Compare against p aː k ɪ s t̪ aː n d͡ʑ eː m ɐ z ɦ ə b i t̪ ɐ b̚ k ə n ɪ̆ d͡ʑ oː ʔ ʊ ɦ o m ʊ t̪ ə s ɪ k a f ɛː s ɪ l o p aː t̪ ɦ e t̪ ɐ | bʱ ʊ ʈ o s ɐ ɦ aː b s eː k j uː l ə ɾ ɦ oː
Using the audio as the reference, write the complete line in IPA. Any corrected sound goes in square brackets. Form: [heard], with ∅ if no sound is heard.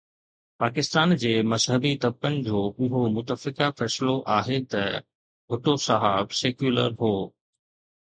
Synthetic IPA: p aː k ɪ s t̪ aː n d͡ʑ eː m ɐ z ɦ ə b i t̪ ɐ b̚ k ə n ɪ̆ d͡ʑ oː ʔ ʊ ɦ o m ʊ t̪ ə [f] ɪ k a f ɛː s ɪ l o [ʔ] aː [∅] ɦ e t̪ ɐ | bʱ ʊ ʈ o s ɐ ɦ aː b s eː k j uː l ə ɾ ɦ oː

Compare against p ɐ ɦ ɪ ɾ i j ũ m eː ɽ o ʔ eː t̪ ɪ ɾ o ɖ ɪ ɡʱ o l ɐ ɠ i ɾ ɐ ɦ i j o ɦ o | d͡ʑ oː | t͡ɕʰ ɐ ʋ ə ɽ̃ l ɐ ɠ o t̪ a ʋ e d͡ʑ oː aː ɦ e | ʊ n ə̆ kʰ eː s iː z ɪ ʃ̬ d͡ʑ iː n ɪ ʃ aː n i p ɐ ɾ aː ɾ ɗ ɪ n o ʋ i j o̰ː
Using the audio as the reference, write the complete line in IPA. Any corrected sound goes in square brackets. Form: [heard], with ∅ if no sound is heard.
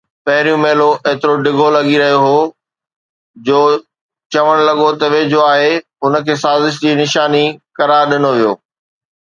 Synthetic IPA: p ɐ ɦ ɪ ɾ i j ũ m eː [l] o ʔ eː t̪ ɪ ɾ o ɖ ɪ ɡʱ o l ɐ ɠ i ɾ ɐ ɦ i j o ɦ o | d͡ʑ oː | [t͡ɕ] ɐ ʋ ə ɽ̃ l ɐ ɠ o t̪ [ɐ] ʋ e d͡ʑ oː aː ɦ e | ʊ n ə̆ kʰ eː s [aː] z ɪ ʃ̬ d͡ʑ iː n ɪ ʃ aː n i [k] ɐ ɾ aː ɾ ɗ ɪ n o ʋ i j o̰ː

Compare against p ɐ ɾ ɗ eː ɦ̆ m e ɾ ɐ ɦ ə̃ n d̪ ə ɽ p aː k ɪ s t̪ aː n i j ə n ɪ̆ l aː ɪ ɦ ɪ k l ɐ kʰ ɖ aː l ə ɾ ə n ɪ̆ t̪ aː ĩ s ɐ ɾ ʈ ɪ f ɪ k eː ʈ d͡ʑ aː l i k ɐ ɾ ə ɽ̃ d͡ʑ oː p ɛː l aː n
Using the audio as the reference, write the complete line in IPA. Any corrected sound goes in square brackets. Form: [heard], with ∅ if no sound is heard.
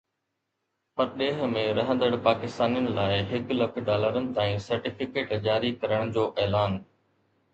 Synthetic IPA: p ɐ ɾ ɗ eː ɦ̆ m [ẽ] ɾ ɐ ɦ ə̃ n d̪ ə ɽ p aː k ɪ s t̪ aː n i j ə n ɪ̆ l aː ɪ ɦ ɪ k l ɐ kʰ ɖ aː l ə ɾ ə n ɪ̆ t̪ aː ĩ s ɐ ɾ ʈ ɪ f ɪ k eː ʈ d͡ʑ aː [ɾ] i k ɐ ɾ ə ɽ̃ d͡ʑ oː [ʔ] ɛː l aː n

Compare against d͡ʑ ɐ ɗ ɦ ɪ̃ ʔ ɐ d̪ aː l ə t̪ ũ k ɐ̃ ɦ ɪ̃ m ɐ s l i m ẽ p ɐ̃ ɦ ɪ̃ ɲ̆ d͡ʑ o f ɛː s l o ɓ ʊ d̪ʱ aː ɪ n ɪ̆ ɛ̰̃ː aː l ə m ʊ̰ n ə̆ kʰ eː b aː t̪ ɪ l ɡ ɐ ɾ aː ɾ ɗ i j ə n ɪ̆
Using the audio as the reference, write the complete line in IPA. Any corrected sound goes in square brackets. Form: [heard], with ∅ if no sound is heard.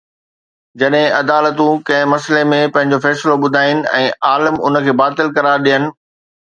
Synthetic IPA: d͡ʑ ɐ ɗ ɦ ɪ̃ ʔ ɐ d̪ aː l ə t̪ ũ k ɐ̃ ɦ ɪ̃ m ɐ s l [e] m ẽ p ɐ̃ ɦ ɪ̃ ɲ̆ d͡ʑ o f ɛː s l o ɓ ʊ d̪ʱ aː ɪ n ɪ̆ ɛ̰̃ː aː l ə m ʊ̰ n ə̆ kʰ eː b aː t̪ ɪ l [k] ɐ ɾ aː ɾ ɗ i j ə n ɪ̆

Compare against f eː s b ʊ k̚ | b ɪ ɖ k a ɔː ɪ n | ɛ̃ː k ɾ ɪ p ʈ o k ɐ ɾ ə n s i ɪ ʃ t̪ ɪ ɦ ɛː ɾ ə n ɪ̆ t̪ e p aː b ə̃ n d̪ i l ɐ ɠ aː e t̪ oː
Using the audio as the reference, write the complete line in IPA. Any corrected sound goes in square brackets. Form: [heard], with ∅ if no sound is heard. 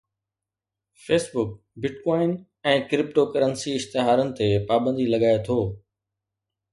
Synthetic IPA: f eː s b ʊ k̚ | b ɪ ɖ k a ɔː ɪ n | ɛ̃ː k ɾ ɪ p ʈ o k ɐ ɾ ə n s i ɪ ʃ t̪ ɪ ɦ [aː] ɾ ə n ɪ̆ t̪ e p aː b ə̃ n d̪ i l ɐ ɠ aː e [t̪ʰ] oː

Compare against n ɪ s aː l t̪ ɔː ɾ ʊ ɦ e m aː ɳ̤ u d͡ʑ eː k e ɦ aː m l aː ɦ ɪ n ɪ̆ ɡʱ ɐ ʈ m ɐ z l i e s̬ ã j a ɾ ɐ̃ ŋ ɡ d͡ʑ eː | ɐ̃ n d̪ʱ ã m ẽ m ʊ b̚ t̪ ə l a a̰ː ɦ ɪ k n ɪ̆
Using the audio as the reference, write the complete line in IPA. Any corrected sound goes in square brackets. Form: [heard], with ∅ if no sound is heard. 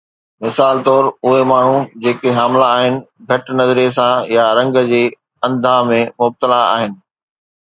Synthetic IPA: [m] ɪ s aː l t̪ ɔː ɾ ʊ ɦ e m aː ɳ̤ u d͡ʑ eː k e ɦ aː m l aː ɦ ɪ n ɪ̆ ɡʱ ɐ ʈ [n] ɐ z [ɾ] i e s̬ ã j a ɾ ɐ̃ ŋ ɡ d͡ʑ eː | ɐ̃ n d̪ʱ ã m ẽ m ʊ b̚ t̪ ə l a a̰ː ɦ ɪ [∅] n ɪ̆

